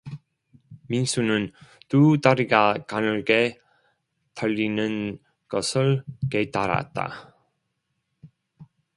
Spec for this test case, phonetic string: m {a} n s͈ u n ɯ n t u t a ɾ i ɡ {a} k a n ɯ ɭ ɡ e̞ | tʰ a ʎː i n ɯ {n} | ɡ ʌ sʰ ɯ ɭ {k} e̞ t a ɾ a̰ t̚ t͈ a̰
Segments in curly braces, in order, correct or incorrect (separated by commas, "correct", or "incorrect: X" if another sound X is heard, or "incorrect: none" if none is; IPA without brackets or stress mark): incorrect: i, correct, correct, correct